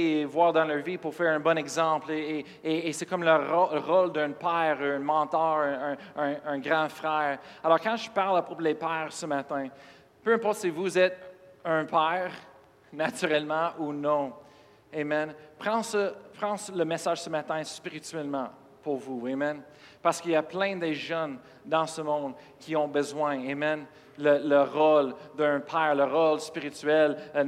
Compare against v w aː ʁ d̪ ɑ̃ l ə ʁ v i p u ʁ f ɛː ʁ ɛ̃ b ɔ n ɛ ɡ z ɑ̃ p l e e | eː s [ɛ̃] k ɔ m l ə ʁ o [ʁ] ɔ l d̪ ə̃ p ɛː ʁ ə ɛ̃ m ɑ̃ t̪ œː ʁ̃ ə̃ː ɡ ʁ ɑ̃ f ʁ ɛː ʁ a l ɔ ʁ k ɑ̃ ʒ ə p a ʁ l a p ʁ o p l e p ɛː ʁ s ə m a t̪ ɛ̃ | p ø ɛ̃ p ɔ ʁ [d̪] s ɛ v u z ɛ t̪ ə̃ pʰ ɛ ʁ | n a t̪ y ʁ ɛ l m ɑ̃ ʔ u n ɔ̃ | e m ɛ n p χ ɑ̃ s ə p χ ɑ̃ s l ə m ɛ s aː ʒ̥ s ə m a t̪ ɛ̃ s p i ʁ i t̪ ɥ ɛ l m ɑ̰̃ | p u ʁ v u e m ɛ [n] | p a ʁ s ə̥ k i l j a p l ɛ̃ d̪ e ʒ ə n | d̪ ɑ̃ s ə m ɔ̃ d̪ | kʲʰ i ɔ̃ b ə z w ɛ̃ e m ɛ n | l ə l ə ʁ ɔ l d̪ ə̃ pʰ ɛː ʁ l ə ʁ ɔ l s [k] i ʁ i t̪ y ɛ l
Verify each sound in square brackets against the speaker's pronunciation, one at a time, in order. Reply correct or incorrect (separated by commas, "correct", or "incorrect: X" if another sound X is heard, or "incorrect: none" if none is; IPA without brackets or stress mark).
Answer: incorrect: ɛ, correct, incorrect: t̪, correct, incorrect: p